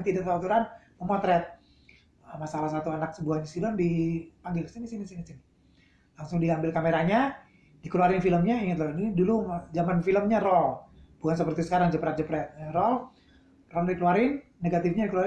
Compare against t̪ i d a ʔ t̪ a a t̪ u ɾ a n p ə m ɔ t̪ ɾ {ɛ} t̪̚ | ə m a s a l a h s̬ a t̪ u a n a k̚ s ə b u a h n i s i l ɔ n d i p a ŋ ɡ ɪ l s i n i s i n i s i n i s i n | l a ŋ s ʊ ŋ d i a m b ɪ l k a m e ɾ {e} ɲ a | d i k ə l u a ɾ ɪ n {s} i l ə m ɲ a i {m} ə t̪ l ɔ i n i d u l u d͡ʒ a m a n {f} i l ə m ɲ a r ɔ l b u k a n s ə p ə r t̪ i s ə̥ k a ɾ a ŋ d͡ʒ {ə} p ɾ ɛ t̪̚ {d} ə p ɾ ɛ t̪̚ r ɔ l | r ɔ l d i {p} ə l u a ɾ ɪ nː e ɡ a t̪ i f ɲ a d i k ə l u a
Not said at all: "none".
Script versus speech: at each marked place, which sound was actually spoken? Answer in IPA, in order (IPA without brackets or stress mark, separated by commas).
ɛ, a, f, ŋ, f, ə, d͡ʒ, k